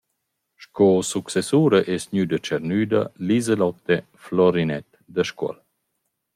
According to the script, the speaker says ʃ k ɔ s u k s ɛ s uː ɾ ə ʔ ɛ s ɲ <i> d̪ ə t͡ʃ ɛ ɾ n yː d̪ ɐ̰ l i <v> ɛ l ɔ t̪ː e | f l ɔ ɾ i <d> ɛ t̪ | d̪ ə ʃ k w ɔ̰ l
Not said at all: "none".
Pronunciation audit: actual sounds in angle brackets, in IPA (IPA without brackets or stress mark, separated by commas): y, z, n